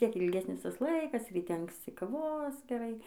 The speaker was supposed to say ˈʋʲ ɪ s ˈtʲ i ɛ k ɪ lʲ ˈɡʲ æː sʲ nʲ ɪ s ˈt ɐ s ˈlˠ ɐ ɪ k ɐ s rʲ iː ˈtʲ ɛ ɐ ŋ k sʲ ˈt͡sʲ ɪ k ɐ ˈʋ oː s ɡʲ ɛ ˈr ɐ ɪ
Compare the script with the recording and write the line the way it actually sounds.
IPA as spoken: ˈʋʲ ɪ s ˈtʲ i ɛ k ɪ lʲ ˈɡʲ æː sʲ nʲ ɪ s ˈt ɐ s ˈlˠ ɐ ɪ k ɐ s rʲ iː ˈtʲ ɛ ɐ ŋ k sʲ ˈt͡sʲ ɪ k ɐ ˈʋ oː s ɡʲ ɛ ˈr ɐ ɪ